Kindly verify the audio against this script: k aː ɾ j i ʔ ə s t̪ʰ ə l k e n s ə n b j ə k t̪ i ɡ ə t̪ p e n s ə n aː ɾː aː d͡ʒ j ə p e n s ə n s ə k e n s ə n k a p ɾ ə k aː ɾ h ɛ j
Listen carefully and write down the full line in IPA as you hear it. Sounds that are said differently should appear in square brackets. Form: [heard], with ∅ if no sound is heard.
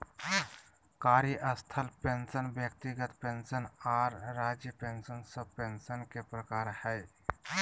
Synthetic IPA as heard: k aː ɾ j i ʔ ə s t̪ʰ ə l [p] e n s ə n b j ə k t̪ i ɡ ə t̪ p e n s ə n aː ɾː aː d͡ʒ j ə p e n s ə n s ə [p] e n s ə n k [e] p ɾ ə k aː ɾ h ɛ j